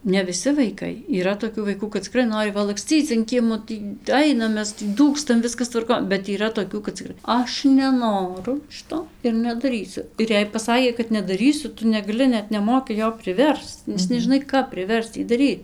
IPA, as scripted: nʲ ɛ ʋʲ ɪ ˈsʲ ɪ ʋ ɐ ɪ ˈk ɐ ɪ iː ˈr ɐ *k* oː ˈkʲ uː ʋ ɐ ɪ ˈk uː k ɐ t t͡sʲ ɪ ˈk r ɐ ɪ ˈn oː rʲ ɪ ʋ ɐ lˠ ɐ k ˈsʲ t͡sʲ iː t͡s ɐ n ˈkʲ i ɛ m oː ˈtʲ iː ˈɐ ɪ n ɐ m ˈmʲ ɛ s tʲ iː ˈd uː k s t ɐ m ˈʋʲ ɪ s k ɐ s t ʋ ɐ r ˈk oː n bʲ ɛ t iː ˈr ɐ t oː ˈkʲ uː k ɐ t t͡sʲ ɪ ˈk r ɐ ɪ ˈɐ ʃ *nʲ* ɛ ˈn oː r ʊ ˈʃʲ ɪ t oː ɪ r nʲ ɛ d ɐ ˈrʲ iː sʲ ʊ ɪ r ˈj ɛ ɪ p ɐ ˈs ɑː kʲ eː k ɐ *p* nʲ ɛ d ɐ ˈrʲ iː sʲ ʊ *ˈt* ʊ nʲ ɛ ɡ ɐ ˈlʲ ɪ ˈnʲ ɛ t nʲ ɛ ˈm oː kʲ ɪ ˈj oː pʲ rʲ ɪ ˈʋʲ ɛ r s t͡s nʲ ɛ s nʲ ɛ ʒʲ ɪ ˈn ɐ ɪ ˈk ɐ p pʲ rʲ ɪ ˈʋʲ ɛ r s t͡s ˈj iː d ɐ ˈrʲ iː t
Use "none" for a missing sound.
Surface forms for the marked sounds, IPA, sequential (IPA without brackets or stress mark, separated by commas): t, nʲ, t, t